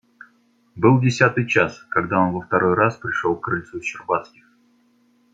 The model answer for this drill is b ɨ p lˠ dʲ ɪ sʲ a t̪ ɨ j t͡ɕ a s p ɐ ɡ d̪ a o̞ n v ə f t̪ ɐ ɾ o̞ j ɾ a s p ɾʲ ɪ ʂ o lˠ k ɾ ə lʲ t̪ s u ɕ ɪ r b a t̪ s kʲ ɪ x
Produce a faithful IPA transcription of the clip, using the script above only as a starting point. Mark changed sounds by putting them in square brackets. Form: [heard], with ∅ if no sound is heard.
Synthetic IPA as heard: b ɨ [∅] lˠ dʲ ɪ sʲ a t̪ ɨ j t͡ɕ a s [k] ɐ ɡ d̪ a o̞ n v ə f t̪ ɐ ɾ o̞ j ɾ a s p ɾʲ ɪ ʂ o lˠ k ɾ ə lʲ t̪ s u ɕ ɪ r b a t̪ s kʲ ɪ x